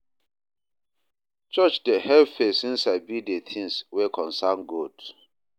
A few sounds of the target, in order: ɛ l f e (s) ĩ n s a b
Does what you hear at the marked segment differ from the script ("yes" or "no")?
no